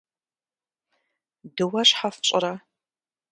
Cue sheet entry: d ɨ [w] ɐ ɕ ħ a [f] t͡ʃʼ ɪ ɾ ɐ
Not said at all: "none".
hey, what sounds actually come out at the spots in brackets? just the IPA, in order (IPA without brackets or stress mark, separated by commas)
w, f